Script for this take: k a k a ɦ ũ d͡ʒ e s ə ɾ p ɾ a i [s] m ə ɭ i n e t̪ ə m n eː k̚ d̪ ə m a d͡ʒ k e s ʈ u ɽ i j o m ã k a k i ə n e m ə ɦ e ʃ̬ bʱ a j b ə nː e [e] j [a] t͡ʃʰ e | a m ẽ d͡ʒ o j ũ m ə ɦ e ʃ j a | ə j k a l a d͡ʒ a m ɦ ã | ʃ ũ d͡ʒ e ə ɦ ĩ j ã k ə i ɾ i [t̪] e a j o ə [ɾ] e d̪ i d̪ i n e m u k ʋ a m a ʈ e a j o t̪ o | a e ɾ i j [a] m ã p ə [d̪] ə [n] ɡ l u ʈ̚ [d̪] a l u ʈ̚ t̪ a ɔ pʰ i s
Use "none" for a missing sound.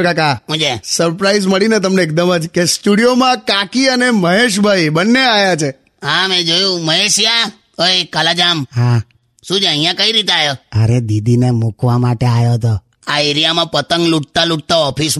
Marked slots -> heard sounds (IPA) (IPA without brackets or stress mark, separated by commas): z, a, a, t̪, ɾ, a, t̪, ŋ, t̪